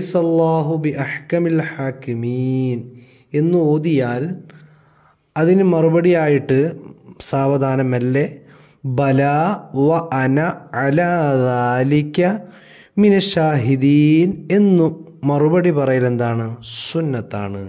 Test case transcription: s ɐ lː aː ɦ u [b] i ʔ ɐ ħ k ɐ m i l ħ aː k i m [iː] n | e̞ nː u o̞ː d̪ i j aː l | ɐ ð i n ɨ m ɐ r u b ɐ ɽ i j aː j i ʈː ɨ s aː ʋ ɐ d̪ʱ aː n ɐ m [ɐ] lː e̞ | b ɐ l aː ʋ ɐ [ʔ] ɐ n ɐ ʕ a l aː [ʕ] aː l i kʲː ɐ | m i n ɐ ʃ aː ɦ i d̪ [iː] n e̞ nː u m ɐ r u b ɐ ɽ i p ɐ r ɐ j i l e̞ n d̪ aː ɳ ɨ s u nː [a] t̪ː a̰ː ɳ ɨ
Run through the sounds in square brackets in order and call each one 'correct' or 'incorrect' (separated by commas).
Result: correct, correct, correct, correct, incorrect, correct, incorrect